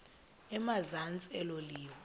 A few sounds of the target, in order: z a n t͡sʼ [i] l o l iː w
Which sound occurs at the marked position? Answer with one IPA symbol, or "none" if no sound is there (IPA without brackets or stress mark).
ɛ